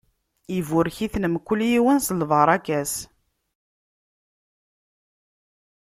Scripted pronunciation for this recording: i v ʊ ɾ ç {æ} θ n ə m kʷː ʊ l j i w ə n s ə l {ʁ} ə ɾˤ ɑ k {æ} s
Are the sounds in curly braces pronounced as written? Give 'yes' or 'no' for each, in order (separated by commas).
no, no, yes